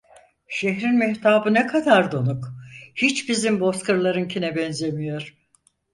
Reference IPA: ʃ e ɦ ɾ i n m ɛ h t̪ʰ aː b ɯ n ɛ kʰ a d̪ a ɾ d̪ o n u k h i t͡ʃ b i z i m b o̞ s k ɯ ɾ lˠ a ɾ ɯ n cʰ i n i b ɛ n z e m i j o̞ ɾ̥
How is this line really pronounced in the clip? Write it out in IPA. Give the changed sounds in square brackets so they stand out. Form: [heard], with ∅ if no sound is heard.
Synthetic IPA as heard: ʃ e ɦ ɾ i n m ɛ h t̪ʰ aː b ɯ n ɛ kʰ a d̪ a ɾ d̪ o n u k h i t͡ʃ b i z i m b o̞ s k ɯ ɾ lˠ a ɾ ɯ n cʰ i n [ɛ] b ɛ n z e m i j o̞ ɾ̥